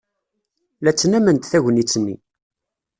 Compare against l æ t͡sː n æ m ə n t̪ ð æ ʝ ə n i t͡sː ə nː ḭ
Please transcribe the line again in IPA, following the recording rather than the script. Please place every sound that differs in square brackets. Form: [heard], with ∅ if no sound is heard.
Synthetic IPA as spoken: l æ t͡sː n æ m ə n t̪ [θ] æ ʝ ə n i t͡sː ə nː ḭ